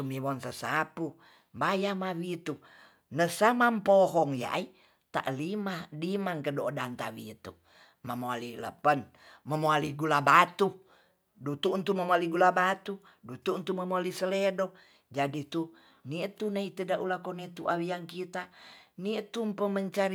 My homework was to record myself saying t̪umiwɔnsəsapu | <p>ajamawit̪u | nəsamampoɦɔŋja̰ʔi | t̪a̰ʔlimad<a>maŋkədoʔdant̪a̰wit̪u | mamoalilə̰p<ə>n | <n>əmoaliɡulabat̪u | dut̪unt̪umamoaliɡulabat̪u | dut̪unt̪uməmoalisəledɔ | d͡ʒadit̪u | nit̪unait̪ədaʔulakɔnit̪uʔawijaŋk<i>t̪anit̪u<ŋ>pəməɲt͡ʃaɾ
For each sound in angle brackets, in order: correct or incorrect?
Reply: incorrect: b, incorrect: i, correct, incorrect: m, correct, incorrect: m

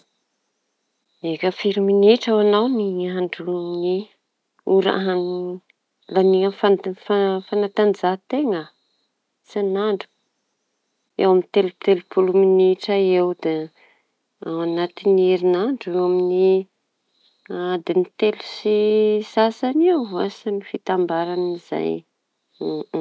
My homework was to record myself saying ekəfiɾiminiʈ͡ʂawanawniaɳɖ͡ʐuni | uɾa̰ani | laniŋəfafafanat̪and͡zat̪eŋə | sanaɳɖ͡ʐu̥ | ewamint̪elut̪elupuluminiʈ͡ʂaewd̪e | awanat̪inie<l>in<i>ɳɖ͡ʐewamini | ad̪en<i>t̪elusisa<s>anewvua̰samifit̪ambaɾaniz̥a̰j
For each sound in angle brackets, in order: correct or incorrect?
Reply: incorrect: ɾ, incorrect: a, correct, correct

